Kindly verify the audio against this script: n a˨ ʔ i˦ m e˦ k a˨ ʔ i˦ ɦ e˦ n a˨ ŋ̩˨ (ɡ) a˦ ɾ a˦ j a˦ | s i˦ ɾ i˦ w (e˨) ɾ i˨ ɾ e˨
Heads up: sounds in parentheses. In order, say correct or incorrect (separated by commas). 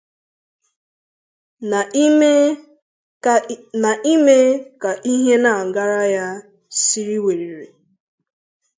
correct, correct